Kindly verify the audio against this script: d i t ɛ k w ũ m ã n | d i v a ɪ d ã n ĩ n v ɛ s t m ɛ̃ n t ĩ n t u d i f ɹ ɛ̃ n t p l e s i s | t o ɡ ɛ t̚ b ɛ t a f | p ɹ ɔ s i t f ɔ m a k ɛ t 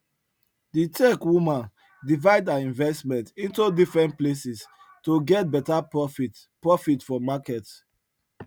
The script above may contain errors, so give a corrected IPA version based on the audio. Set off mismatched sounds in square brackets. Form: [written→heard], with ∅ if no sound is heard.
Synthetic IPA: d i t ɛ k w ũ m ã n | d i v a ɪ d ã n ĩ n v ɛ s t m ɛ̃ n t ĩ n t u d i f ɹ ɛ̃ n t p l e s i s | t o ɡ ɛ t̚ b ɛ t a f | p ɹ ɔ [s→f] i t f ɔ m a k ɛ t